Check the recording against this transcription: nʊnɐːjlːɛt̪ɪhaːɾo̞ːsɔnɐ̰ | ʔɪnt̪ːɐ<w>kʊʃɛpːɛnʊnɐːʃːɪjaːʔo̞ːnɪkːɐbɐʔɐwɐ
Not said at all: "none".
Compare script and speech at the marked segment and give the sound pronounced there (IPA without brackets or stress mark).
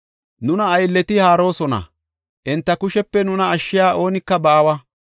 none